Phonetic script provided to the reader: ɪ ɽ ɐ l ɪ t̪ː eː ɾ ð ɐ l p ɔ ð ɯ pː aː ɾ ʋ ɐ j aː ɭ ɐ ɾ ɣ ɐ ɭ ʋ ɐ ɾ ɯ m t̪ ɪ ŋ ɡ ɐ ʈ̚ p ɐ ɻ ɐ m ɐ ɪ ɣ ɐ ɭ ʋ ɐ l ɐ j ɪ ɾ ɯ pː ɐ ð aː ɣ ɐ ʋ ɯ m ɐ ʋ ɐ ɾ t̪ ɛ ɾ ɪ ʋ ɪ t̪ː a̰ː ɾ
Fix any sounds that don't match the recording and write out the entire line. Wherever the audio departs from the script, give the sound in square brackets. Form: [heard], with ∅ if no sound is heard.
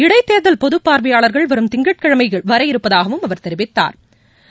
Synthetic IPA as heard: ɪ ɽ ɐ [∅] ɪ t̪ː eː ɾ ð ɐ l p ɔ ð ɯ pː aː ɾ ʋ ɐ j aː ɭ ɐ ɾ ɣ ɐ ɭ ʋ ɐ ɾ ɯ m t̪ ɪ ŋ ɡ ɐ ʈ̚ [k] ɐ ɻ ɐ m ɐ ɪ ɣ ɐ ɭ ʋ ɐ [ɾ] ɐ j ɪ ɾ ɯ pː ɐ ð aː ɣ ɐ ʋ ɯ m ɐ ʋ ɐ ɾ t̪ ɛ ɾ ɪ ʋ ɪ t̪ː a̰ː ɾ